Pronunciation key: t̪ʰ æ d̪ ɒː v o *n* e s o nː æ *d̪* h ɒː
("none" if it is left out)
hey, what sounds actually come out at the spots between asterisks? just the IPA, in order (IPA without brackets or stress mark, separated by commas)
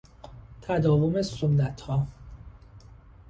m, t̪